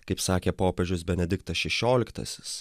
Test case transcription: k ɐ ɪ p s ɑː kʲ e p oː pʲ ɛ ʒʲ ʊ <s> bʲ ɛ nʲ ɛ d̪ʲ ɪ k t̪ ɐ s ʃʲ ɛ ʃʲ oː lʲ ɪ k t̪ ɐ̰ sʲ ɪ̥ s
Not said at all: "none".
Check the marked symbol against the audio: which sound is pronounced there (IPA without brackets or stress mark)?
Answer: s